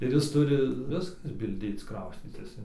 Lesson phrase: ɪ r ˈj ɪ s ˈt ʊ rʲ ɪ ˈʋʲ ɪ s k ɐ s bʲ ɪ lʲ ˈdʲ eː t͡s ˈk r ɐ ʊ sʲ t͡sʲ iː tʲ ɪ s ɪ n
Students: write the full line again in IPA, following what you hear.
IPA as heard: ɪ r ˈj ɪ s ˈt ʊ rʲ ɪ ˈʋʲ ɪ s k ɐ s bʲ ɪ lʲ ˈdʲ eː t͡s ˈk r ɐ ʊ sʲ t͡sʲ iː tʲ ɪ s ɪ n